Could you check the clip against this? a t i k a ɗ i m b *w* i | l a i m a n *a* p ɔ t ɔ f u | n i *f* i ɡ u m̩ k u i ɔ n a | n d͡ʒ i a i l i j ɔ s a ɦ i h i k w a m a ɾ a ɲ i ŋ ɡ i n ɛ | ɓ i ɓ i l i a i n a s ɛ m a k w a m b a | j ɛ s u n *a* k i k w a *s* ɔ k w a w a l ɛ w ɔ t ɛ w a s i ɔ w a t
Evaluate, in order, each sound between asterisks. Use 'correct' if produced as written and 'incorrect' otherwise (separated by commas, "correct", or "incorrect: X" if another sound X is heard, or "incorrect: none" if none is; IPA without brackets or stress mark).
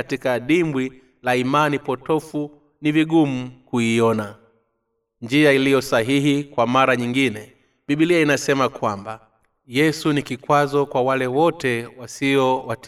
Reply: correct, incorrect: i, incorrect: v, incorrect: i, incorrect: z